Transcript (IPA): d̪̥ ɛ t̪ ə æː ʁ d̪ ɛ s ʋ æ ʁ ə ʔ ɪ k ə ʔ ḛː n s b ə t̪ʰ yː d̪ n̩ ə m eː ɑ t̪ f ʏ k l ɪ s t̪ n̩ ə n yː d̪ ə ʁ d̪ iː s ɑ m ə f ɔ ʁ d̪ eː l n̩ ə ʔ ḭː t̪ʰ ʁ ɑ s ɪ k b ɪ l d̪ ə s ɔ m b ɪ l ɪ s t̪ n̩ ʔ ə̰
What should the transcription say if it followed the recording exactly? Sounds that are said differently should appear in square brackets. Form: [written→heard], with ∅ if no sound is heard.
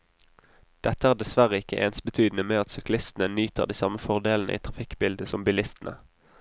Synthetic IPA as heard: d̪̥ ɛ t̪ ə æː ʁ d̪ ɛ s ʋ æ ʁ ə [ʔ→∅] ɪ k ə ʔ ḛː n s b ə t̪ʰ yː d̪ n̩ ə m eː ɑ t̪ [f→s] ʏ k l ɪ s t̪ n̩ ə n yː [d̪→t̪] ə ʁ d̪ iː s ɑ m ə f ɔ ʁ d̪ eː l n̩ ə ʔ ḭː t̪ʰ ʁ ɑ [s→f] ɪ k b ɪ l d̪ ə s ɔ m b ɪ l ɪ s t̪ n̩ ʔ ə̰